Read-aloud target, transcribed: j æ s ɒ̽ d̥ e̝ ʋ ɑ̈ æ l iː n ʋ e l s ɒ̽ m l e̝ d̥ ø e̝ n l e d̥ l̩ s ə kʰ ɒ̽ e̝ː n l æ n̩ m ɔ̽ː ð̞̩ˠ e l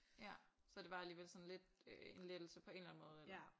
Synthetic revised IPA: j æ s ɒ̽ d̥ e̝ ʋ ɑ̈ æ l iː ʋ e l s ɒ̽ n l e̝ d̥ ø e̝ n l e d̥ l̩ s ə pʰ ɒ̽ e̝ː n l æ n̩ m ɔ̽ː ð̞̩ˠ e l